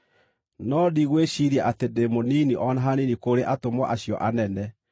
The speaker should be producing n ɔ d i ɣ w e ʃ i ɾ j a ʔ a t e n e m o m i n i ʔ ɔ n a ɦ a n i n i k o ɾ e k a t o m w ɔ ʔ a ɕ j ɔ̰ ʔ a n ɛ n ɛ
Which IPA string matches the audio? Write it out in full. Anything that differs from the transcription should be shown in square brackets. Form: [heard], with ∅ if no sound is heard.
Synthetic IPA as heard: n ɔ d i ɣ w e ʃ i ɾ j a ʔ a t e [d] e m o [n] i n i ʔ ɔ n a ɦ a n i n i k o ɾ e [ʔ] a t o m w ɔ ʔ a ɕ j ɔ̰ ʔ a n ɛ n ɛ